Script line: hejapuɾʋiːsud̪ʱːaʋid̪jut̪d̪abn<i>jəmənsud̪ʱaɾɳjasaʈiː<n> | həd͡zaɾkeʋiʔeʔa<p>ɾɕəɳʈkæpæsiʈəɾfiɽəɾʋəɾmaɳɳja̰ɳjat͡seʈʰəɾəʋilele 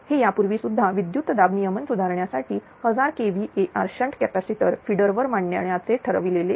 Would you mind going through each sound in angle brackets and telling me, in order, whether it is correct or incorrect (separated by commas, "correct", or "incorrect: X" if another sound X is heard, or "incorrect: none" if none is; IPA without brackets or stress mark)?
correct, incorrect: none, incorrect: none